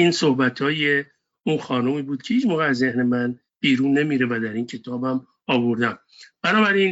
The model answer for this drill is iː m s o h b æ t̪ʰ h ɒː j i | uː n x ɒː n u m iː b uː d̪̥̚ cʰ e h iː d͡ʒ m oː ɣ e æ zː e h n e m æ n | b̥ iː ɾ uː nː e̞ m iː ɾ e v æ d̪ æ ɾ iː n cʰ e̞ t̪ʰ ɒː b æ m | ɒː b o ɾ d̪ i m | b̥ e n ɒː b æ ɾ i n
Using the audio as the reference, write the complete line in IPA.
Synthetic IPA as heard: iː n s o h b æ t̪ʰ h ɒː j e | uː n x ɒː n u m iː b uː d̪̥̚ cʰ e h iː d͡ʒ m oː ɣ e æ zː e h n e m æ n | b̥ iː ɾ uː nː e̞ m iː ɾ e v æ d̪ æ ɾ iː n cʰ e̞ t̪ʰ ɒː b æ m | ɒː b o ɾ d̪ æ m | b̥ æ n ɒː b æ ɾ i n